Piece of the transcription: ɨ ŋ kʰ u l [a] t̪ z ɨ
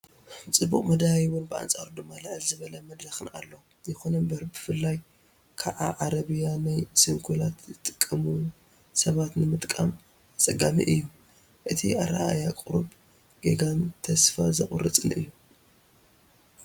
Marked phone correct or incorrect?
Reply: correct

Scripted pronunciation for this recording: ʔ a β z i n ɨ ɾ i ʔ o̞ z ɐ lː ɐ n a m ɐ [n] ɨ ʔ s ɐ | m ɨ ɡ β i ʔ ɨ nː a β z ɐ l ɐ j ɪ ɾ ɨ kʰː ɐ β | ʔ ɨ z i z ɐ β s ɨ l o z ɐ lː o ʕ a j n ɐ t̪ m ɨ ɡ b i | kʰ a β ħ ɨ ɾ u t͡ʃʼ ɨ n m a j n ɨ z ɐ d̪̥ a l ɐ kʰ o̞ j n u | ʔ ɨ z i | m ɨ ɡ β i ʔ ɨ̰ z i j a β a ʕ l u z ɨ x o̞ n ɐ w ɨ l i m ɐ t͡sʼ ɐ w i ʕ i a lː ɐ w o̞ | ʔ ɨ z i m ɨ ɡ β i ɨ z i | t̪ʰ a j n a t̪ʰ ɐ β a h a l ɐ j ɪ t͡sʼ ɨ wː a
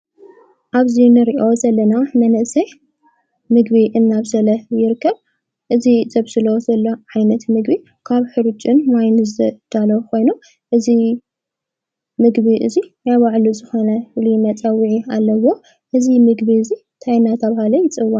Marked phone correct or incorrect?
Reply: correct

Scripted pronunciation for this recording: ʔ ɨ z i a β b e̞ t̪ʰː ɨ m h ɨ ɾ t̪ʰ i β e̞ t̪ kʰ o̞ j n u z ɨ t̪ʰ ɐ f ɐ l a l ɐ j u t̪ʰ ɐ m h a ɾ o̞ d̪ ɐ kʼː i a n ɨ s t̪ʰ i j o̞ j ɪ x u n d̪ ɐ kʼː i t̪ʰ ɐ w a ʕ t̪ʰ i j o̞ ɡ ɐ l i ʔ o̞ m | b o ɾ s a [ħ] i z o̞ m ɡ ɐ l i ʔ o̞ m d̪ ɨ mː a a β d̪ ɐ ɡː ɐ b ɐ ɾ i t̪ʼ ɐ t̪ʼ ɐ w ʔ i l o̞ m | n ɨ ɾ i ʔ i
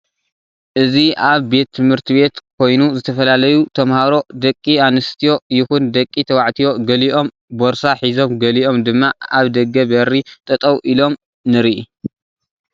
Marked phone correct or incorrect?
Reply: correct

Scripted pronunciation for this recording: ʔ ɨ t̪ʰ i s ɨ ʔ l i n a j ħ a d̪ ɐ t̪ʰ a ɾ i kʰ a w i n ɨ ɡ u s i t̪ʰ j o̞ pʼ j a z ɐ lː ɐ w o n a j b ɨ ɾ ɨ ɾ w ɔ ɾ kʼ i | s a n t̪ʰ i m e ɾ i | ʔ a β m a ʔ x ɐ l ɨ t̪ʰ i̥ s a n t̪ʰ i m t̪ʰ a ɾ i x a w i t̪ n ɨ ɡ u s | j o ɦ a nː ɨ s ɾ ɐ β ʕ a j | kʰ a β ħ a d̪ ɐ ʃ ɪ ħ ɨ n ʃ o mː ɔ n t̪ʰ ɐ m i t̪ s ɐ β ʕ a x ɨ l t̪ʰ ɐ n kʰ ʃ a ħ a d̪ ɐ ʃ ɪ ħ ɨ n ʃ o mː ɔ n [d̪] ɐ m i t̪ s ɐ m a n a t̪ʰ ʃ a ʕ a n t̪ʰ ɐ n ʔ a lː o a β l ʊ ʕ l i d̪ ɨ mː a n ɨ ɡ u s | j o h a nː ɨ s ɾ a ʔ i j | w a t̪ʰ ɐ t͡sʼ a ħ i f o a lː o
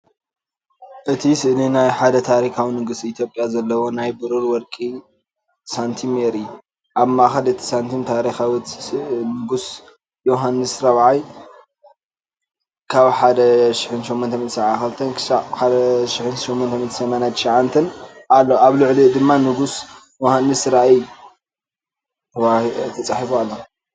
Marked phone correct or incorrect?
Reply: incorrect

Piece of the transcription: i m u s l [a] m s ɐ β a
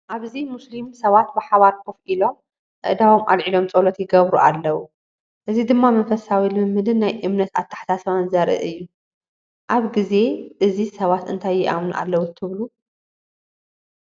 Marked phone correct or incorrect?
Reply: incorrect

